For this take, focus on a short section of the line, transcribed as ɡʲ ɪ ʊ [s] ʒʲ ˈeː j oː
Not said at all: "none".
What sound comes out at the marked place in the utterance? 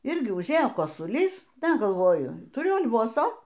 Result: none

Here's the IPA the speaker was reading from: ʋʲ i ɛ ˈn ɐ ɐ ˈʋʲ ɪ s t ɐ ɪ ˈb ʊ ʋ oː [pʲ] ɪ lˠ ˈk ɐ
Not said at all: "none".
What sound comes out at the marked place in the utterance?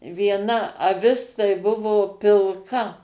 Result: pʲ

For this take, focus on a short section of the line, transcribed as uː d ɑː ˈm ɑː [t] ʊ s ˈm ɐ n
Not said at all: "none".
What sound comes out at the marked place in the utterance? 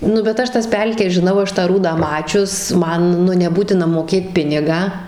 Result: t͡ʃʲ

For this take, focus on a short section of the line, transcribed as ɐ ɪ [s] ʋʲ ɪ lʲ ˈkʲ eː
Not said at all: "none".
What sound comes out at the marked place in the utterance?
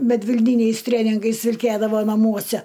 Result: s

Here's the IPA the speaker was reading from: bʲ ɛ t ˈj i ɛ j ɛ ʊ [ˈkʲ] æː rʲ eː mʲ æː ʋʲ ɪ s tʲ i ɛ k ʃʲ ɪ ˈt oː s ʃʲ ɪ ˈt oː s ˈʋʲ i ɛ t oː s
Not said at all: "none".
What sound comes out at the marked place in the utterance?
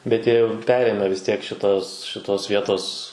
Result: pʲ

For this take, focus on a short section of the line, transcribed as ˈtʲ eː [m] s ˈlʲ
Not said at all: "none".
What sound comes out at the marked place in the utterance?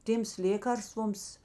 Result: m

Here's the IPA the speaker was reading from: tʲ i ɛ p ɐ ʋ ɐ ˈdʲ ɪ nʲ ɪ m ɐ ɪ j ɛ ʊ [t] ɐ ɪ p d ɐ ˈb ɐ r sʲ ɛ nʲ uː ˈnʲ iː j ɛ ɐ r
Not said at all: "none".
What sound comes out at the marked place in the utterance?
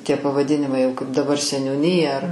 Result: k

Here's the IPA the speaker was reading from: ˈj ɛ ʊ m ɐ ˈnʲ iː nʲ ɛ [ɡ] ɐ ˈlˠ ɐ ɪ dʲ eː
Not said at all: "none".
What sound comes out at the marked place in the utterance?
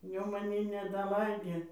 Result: d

